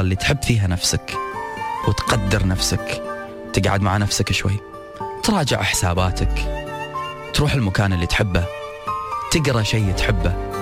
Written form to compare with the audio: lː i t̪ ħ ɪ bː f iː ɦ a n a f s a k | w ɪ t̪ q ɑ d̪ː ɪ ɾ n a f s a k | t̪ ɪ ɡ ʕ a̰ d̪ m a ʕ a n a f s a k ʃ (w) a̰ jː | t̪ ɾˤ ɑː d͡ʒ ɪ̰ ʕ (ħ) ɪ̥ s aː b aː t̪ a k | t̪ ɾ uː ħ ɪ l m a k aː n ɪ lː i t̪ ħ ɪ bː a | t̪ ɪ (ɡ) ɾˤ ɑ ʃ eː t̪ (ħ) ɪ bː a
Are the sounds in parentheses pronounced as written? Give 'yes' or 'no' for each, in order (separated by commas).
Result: yes, yes, yes, yes